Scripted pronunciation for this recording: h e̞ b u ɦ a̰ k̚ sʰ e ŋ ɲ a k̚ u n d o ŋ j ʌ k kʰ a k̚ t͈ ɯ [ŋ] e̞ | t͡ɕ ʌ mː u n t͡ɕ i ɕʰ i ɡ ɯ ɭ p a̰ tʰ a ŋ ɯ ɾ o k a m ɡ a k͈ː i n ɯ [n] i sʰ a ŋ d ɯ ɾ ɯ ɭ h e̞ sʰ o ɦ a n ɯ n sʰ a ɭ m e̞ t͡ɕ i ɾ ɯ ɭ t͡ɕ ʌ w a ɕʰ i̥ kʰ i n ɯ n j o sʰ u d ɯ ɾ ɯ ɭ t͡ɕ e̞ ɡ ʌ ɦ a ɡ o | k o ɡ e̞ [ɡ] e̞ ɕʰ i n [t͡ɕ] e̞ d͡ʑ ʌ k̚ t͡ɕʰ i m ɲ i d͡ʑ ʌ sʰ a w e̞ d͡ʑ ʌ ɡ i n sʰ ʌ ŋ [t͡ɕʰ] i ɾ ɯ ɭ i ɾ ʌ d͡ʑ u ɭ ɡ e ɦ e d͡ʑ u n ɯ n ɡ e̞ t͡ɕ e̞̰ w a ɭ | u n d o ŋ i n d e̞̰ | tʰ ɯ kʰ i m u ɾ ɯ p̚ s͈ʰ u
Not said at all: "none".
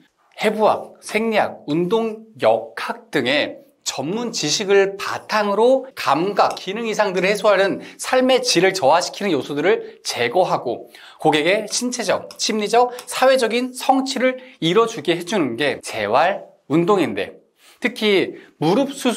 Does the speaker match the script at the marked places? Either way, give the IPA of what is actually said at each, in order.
ŋ, ŋ, ɡ, t͡ɕʰ, t͡ɕʰ

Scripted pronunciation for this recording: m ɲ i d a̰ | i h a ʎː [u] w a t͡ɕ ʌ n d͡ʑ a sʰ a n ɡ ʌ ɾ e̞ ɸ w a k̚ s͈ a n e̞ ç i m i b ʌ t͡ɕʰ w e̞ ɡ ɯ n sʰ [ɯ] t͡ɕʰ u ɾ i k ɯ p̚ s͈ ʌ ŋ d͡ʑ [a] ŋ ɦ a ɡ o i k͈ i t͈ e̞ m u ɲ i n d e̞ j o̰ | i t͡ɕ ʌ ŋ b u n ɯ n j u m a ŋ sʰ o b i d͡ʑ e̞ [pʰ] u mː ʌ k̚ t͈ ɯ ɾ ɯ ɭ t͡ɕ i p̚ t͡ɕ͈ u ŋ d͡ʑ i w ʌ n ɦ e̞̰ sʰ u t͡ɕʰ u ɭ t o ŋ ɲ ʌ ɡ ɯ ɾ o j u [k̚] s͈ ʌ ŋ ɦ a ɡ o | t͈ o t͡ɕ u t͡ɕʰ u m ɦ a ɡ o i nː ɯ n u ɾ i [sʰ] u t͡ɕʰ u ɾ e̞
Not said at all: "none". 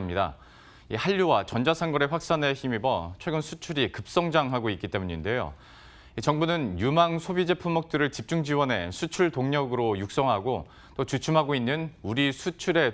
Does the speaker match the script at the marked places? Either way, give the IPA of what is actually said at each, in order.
u, u, a, pʰ, k̚, sʰ

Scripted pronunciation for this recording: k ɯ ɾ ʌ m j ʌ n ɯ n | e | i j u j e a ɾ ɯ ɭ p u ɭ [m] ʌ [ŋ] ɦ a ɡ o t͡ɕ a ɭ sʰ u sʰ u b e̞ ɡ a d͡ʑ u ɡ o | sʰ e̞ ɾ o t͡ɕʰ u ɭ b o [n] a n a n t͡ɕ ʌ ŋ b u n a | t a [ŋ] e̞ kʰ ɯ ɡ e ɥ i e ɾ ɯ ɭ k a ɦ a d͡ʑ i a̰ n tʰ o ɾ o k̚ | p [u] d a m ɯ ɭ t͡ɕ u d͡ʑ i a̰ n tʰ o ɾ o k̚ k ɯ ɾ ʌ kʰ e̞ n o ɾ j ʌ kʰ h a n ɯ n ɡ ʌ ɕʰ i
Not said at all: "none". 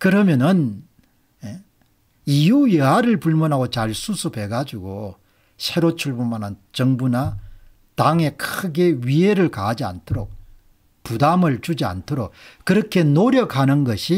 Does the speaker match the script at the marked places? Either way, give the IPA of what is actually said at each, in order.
m, n, m, ŋ, u

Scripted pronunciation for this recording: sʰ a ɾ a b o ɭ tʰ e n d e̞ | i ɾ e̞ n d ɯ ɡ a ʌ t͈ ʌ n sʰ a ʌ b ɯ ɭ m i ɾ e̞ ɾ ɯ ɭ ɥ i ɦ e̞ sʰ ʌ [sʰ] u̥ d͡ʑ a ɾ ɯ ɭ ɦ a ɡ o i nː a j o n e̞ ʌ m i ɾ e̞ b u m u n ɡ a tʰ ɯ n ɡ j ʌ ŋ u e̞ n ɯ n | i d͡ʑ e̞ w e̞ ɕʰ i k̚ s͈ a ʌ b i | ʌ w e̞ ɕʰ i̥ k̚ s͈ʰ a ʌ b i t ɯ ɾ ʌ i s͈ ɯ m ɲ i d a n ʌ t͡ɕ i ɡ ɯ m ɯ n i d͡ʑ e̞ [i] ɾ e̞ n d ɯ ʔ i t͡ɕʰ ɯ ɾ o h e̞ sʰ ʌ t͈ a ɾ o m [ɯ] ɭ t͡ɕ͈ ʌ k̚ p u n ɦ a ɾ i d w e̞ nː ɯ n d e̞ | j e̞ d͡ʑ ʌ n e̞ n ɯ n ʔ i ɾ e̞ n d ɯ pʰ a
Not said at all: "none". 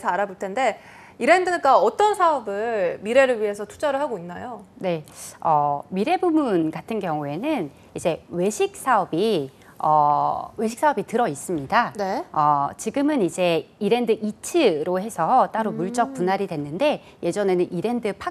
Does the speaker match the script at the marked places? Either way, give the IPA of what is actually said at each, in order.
tʰ, i, u

